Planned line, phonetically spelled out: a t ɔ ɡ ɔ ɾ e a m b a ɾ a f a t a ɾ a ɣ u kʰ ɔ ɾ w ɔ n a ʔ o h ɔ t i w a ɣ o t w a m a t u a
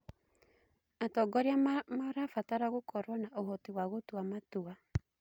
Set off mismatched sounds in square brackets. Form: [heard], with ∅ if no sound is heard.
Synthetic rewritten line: a t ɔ ɡ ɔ ɾ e a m [m] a ɾ a f a t a ɾ a ɣ [o] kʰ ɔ ɾ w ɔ n a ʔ o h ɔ t i w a ɣ o t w a m a t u a